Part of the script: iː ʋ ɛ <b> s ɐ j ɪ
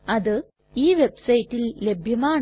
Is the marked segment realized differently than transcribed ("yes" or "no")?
no